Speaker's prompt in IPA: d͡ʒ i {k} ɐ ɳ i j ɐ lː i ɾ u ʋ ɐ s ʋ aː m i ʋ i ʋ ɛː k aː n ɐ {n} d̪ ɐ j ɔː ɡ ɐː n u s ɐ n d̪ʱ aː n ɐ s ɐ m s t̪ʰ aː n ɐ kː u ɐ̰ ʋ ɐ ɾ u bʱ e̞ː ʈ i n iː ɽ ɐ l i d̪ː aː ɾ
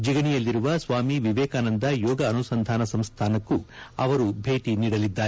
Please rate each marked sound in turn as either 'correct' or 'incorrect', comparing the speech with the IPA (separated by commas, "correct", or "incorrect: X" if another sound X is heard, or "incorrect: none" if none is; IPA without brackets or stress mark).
incorrect: ɡ, correct